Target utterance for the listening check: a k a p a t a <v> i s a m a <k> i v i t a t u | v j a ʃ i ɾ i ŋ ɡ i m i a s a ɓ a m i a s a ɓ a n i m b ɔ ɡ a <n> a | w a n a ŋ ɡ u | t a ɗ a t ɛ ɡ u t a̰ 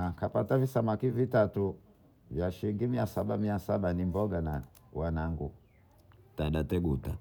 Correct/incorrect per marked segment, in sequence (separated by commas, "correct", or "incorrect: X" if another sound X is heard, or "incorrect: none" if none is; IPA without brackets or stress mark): correct, correct, correct